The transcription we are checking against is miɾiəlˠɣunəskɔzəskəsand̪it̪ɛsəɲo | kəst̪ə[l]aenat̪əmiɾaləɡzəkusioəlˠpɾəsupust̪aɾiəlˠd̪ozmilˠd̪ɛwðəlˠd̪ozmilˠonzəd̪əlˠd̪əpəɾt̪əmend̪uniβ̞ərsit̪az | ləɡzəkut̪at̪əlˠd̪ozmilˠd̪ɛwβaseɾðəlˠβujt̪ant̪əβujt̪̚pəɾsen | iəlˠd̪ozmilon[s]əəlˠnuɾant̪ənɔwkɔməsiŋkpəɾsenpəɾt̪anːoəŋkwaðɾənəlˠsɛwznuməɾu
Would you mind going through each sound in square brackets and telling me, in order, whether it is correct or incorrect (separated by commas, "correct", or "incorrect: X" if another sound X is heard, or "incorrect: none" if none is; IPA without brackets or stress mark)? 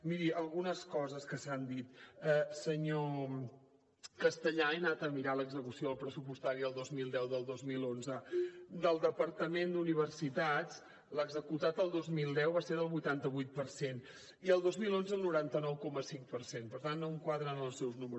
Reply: incorrect: ʎ, incorrect: z